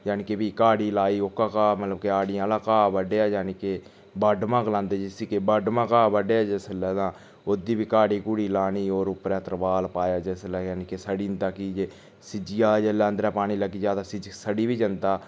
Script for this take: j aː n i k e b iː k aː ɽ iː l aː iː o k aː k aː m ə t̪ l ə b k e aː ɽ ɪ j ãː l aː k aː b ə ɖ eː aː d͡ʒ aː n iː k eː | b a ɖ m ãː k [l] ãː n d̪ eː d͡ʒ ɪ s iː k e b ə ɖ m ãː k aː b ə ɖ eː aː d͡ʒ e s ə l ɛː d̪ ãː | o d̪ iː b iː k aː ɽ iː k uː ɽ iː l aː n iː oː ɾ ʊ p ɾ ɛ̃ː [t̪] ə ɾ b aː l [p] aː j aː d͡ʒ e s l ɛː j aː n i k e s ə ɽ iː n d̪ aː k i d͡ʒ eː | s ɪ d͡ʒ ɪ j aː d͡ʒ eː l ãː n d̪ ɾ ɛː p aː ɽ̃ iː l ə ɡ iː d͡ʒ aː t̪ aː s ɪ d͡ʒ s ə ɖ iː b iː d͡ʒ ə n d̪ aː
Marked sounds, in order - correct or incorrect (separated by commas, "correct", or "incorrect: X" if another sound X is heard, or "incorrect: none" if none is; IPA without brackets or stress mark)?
correct, correct, correct